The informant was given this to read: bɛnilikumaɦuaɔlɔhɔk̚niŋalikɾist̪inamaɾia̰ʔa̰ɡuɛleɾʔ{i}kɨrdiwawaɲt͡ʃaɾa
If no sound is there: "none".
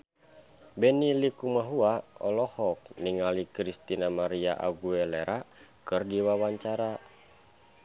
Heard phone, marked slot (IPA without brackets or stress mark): a